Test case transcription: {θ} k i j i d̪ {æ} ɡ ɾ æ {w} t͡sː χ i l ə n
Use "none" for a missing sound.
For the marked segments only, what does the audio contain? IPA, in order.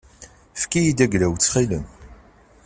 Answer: f, æ, w

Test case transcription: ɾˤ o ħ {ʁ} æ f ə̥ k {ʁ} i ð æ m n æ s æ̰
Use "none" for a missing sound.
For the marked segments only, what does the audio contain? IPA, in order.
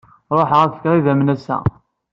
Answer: ʁ, ʁ

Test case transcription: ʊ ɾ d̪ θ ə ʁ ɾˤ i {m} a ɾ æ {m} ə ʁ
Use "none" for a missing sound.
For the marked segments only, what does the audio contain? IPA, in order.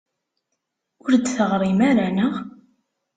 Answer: m, n

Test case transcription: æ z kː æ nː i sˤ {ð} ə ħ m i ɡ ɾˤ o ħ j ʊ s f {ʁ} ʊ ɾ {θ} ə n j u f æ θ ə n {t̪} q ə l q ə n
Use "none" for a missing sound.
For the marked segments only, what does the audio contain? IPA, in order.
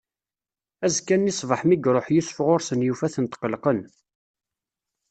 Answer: v, ʁ, s, t̪

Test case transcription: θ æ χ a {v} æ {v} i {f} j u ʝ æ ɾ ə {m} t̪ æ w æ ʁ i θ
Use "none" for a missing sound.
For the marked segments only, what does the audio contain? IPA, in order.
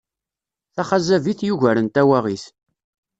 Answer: z, v, θ, n

